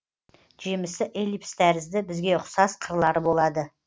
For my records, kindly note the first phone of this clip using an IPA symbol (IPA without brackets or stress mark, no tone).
ʒ